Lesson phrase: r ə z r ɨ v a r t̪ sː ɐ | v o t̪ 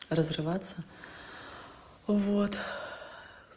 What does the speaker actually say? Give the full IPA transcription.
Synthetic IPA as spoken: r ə z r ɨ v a t̪ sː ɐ | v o t̪